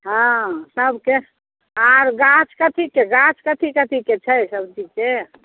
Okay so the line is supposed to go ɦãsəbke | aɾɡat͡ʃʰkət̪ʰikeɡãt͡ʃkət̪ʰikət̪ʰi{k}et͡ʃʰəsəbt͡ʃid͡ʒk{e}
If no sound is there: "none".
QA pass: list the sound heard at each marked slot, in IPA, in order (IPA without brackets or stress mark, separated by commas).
k, e